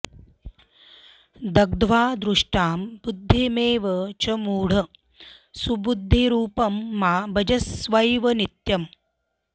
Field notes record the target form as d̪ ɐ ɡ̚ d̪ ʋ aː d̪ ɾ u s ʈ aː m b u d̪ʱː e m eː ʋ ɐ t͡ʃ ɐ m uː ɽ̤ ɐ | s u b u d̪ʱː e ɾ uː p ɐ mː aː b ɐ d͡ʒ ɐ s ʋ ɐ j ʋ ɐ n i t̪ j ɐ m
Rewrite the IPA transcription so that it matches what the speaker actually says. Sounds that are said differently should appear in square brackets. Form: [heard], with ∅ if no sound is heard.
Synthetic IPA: d̪ ɐ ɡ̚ d̪ ʋ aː d̪ ɾ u [ʂ] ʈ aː m b u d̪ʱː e m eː ʋ ɐ t͡ʃ ɐ m uː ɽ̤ ɐ | s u b u d̪ʱː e ɾ uː p ɐ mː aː b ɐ d͡ʒ ɐ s ʋ ɐ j ʋ ɐ n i t̪ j ɐ m

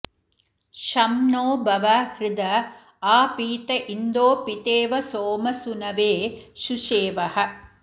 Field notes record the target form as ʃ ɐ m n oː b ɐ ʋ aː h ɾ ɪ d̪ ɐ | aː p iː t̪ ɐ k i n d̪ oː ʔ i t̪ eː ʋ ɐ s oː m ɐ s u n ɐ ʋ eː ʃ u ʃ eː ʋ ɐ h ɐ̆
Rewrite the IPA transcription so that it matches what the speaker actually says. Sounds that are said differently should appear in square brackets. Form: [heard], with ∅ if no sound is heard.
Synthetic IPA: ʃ ɐ m n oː b ɐ ʋ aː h ɾ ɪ d̪ ɐ | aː p iː t̪ ɐ [ʔ] i n d̪ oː [p] i t̪ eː ʋ ɐ s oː m ɐ s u n ɐ ʋ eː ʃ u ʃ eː ʋ ɐ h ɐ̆

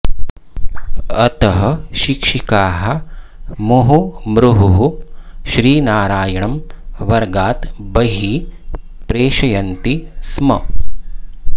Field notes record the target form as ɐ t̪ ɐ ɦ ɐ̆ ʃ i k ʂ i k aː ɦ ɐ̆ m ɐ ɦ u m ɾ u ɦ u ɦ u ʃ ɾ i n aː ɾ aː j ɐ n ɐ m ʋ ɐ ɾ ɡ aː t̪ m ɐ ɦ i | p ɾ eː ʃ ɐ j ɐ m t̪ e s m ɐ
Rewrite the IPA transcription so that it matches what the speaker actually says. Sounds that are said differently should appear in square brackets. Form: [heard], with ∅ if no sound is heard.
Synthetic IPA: ɐ t̪ ɐ ɦ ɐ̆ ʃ i k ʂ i k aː ɦ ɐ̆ m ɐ ɦ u m ɾ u ɦ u ɦ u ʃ ɾ [iː] n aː ɾ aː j ɐ [ɳ] ɐ m ʋ ɐ ɾ ɡ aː t̪ [b] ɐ ɦ i | p ɾ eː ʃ ɐ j ɐ [n] t̪ [i] s m ɐ

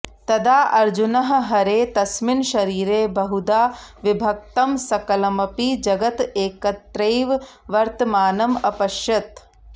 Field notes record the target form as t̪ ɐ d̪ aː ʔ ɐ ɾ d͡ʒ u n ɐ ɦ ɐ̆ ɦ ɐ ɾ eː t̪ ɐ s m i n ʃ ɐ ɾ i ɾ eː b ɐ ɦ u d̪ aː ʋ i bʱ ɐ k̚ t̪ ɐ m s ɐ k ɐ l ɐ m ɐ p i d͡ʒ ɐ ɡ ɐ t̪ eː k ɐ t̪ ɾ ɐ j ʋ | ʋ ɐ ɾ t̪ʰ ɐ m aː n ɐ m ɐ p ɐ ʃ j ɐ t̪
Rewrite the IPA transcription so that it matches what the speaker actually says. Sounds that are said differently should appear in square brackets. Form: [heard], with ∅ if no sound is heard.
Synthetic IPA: t̪ ɐ d̪ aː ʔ ɐ ɾ d͡ʒ u n ɐ ɦ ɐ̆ ɦ ɐ ɾ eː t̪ ɐ s m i n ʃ ɐ ɾ [iː] ɾ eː b ɐ ɦ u d̪ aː ʋ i bʱ ɐ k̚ t̪ ɐ m s ɐ k ɐ l ɐ m ɐ p i d͡ʒ ɐ ɡ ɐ t̪ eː k ɐ t̪ ɾ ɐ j ʋ | ʋ ɐ ɾ [t̪] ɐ m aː n ɐ m ɐ p ɐ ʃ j ɐ t̪

